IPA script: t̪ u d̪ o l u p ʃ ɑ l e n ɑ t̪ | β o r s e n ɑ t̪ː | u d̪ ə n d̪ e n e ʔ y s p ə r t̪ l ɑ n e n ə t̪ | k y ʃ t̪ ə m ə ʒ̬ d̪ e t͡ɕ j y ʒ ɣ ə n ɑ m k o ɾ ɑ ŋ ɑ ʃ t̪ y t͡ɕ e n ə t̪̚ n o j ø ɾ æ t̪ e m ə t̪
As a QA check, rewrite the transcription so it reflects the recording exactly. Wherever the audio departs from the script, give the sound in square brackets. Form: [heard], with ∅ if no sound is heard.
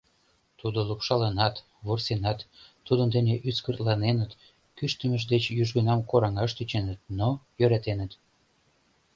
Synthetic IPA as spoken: t̪ u d̪ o l u p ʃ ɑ l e n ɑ t̪ | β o r s e n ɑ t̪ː | u d̪ ə n d̪ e n e ʔ y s [k] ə r t̪ l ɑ n e n ə t̪ | k y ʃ t̪ ə m ə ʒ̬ d̪ e t͡ɕ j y ʒ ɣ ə n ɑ m k o ɾ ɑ ŋ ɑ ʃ t̪ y t͡ɕ e n ə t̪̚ n o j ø ɾ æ t̪ e [n] ə t̪